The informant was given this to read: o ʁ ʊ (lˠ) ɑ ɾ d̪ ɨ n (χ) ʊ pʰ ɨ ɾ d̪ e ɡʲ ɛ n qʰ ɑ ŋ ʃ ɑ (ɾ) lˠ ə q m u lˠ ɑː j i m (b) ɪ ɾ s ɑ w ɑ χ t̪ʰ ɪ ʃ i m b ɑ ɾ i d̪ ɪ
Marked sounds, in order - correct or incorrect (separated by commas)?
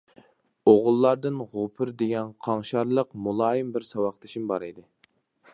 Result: incorrect, incorrect, correct, correct